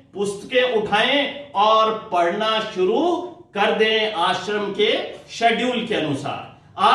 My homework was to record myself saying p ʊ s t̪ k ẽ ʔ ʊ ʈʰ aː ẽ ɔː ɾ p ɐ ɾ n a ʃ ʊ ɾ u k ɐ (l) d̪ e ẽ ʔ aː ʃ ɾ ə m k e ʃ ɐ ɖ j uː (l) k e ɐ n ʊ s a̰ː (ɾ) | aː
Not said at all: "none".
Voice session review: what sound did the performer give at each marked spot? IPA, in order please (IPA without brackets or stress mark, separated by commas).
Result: ɾ, l, ɾ